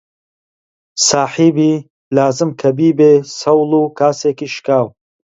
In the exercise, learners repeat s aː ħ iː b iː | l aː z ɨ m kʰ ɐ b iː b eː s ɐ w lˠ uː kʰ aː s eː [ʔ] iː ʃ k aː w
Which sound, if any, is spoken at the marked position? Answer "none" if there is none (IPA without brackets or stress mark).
k